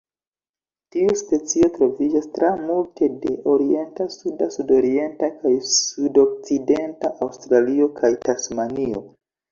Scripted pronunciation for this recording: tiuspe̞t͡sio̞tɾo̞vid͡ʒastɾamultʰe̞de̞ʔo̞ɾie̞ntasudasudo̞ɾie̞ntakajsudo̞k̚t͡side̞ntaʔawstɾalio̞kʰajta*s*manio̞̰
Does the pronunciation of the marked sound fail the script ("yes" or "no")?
no